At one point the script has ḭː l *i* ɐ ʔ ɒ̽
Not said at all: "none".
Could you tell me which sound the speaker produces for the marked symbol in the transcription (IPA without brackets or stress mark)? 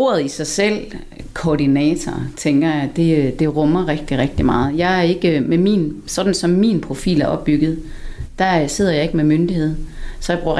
æ